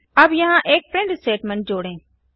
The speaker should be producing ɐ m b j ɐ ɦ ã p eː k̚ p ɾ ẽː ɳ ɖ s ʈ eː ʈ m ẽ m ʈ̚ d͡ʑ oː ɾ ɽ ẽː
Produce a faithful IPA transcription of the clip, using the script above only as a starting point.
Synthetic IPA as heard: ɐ b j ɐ ɦ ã ʔ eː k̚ p ɾ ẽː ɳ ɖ s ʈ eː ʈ m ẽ ɳ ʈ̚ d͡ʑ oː ɽ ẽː